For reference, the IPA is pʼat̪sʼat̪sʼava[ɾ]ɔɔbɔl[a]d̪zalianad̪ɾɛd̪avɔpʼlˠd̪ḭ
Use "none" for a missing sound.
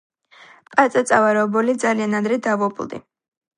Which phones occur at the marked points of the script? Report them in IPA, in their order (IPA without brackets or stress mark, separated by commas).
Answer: ɾ, i